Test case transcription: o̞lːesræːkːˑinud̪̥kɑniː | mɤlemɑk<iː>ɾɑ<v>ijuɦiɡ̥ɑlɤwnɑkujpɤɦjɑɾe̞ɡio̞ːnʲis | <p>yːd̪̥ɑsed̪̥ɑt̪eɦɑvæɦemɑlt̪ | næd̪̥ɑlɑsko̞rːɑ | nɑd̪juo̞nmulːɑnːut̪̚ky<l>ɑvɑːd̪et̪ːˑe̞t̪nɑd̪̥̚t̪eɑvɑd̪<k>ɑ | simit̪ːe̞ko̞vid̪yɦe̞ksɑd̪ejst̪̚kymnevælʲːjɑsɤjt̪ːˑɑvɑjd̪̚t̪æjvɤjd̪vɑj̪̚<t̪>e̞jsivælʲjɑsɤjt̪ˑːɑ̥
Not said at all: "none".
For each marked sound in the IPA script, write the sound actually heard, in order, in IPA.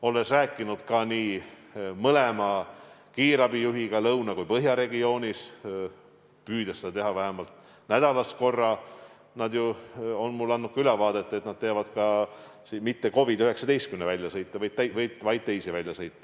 iː, b, p, l, k, t̪

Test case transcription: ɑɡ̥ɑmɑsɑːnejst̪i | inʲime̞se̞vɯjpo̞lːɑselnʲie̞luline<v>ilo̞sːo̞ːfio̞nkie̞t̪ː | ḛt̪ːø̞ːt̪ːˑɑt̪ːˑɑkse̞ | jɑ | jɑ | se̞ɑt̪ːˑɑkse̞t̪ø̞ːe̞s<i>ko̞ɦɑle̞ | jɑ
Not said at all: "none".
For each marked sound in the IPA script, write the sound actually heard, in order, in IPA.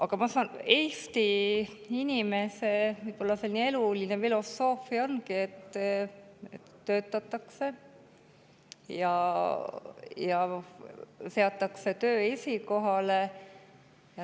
f, i

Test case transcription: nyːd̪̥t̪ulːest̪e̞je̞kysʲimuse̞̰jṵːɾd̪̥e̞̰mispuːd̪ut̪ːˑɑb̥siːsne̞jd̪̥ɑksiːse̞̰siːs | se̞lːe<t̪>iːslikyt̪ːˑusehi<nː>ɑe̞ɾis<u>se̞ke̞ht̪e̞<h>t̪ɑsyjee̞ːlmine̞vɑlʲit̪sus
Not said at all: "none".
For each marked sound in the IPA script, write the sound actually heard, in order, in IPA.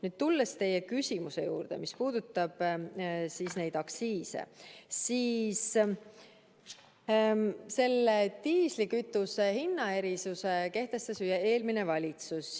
t̪, nː, u, s

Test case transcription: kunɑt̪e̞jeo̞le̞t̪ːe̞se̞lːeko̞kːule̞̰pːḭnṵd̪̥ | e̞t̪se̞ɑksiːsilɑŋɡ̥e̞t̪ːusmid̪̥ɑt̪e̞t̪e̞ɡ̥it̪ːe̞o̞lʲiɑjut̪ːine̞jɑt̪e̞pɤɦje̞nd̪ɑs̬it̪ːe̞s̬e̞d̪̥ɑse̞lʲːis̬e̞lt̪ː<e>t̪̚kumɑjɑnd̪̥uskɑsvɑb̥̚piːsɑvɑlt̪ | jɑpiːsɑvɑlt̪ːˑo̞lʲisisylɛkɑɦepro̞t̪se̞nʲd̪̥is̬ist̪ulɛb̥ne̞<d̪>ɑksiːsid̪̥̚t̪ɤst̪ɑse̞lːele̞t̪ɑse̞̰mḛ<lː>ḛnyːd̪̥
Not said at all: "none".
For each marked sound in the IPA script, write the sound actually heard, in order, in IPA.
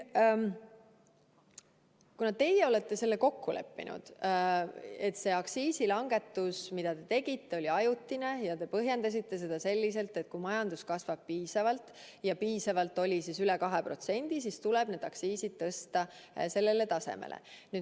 e, d̪, l

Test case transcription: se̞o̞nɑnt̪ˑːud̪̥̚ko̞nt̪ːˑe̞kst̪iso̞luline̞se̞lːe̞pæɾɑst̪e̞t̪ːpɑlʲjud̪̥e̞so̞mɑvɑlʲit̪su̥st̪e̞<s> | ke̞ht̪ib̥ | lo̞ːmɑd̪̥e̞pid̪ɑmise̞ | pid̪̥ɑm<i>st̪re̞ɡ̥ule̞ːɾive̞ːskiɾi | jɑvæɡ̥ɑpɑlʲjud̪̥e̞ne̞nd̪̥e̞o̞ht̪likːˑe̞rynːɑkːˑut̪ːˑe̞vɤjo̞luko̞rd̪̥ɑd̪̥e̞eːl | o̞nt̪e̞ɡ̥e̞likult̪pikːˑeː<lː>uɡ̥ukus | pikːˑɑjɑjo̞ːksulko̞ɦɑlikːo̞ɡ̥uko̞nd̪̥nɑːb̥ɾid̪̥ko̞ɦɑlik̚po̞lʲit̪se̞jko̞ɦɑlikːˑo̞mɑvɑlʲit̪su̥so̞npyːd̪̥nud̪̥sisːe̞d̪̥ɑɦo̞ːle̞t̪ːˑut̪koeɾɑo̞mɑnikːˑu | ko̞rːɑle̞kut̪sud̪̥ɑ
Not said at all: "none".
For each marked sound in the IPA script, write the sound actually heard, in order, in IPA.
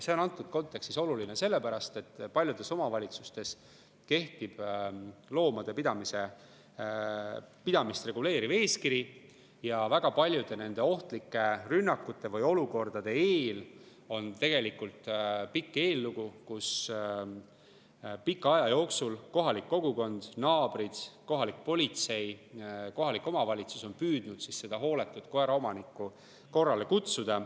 s, i, lː

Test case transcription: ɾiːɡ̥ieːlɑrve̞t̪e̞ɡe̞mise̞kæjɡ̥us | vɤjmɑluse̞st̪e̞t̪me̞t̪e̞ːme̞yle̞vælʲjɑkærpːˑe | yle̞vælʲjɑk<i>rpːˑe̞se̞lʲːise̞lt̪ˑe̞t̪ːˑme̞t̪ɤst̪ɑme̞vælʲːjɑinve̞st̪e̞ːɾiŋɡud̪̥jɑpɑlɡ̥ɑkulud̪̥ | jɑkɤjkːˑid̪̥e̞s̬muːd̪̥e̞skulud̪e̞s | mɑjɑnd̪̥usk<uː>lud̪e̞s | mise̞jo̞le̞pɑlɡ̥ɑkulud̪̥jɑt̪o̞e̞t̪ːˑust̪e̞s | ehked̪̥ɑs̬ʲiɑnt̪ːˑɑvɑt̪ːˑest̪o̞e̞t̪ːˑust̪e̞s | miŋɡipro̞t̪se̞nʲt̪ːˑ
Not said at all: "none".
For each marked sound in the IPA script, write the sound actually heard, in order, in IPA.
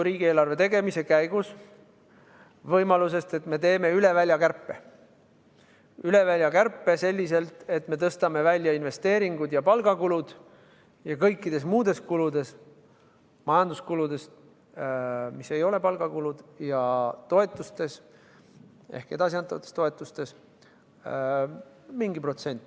æ, u

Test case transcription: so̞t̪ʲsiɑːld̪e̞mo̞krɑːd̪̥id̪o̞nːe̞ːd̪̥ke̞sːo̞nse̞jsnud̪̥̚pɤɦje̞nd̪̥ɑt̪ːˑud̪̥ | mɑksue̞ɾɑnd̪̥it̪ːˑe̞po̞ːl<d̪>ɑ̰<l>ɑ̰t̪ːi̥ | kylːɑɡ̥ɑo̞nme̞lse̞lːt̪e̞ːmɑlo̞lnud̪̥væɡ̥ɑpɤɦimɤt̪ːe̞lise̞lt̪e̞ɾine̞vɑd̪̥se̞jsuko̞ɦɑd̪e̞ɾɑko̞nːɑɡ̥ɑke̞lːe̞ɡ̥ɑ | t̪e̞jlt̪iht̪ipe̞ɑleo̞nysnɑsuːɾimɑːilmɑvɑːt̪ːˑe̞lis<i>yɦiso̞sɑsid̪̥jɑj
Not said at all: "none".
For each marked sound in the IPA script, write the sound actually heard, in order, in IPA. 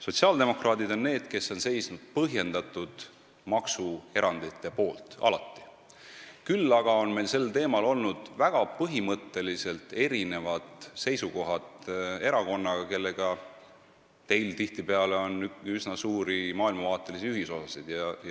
t̪, l, i

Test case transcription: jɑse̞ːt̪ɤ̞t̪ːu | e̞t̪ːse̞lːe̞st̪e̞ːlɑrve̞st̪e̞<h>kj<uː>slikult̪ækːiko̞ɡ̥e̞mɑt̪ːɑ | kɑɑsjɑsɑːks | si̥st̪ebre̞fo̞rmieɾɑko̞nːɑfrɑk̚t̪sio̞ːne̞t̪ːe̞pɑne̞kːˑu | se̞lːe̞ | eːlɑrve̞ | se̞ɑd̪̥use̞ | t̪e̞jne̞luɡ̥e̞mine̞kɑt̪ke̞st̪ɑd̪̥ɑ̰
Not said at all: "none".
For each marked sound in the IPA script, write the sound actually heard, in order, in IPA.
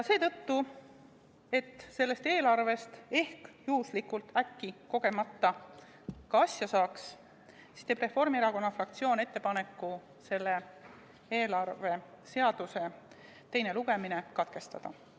h, uː

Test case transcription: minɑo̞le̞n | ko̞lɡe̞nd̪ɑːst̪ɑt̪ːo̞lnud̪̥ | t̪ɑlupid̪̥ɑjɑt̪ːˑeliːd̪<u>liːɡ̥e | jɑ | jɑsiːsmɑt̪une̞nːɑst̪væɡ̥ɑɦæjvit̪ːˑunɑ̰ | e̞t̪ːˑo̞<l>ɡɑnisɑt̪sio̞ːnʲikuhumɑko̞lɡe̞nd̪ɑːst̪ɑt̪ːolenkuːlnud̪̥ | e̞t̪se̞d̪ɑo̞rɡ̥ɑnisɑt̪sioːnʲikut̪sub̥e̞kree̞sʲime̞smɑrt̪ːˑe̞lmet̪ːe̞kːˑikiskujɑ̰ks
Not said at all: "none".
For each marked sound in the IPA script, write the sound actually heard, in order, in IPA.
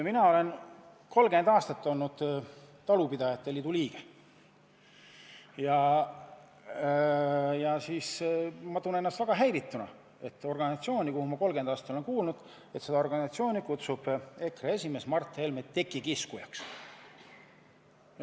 u, r

